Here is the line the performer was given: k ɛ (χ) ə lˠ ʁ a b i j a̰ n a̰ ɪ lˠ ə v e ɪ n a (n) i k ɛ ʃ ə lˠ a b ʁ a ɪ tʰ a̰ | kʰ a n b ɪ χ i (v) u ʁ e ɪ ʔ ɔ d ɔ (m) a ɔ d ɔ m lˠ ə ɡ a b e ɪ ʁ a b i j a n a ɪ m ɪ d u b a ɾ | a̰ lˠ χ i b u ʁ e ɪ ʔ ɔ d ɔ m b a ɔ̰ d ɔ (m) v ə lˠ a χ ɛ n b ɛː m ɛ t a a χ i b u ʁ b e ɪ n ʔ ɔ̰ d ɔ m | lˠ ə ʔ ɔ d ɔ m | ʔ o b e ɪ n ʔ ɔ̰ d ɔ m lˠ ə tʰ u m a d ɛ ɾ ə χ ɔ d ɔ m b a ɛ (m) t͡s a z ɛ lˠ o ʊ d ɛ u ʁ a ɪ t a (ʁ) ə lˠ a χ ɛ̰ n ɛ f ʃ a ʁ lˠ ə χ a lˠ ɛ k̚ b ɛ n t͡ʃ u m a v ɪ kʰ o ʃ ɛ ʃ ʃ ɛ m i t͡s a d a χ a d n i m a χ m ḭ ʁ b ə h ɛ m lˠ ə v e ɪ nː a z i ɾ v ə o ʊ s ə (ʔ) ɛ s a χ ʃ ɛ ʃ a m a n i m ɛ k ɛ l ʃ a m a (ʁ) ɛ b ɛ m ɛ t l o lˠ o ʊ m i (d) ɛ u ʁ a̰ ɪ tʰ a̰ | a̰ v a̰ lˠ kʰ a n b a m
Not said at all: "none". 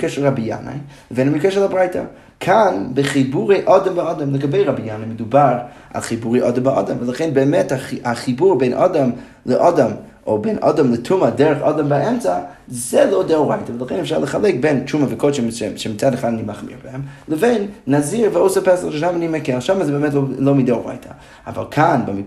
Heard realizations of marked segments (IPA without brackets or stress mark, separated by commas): ʃ, m, b, m, m, m, v, p, z, d